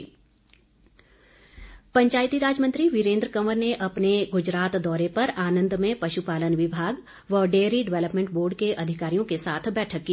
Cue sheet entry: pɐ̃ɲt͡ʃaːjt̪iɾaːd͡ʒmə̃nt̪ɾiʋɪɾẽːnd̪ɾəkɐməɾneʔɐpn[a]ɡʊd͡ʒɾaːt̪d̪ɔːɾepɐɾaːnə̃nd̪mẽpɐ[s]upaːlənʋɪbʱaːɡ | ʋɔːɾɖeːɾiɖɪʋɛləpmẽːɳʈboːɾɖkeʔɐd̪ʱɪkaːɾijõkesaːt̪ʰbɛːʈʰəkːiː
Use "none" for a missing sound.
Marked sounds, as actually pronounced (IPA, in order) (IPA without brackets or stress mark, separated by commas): e, ʃ